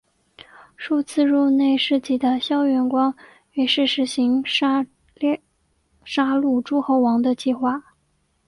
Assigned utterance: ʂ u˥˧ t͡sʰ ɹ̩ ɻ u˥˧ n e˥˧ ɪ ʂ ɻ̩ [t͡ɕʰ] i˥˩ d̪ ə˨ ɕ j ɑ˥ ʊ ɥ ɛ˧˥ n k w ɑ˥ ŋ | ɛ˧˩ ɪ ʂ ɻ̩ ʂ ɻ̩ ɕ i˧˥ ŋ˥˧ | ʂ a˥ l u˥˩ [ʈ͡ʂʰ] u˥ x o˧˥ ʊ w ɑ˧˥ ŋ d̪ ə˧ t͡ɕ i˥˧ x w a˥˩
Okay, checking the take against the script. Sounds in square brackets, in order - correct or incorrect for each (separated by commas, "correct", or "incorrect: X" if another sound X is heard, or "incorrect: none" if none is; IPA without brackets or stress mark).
incorrect: t͡ɕ, incorrect: ʈ͡ʂ